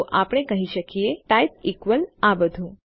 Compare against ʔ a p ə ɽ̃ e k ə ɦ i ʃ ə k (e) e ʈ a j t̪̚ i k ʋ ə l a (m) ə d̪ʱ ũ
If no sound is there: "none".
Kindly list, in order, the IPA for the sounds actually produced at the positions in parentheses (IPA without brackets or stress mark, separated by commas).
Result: i, b